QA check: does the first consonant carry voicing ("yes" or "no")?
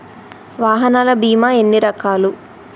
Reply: yes